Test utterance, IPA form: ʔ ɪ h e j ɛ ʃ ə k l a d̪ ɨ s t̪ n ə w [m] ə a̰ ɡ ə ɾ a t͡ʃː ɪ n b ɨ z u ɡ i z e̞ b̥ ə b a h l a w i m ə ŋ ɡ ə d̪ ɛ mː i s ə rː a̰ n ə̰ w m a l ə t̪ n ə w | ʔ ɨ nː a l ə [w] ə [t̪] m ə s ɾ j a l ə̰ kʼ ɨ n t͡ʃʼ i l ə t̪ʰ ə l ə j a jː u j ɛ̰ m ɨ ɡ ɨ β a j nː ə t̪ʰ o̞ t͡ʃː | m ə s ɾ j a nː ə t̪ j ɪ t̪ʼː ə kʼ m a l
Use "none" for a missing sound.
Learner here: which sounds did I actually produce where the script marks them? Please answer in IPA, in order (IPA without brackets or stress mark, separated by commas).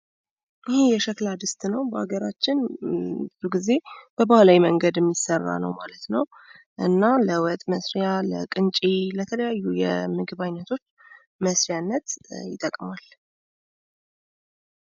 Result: b, w, t̪ʼ